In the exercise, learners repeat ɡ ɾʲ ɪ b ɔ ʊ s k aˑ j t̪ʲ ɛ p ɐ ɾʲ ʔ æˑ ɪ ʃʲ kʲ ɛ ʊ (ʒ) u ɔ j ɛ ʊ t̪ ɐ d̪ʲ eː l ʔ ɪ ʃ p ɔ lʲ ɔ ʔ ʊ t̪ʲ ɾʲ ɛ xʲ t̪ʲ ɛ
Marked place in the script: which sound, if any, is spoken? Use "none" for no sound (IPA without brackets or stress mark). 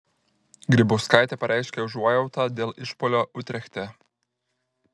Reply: ʒ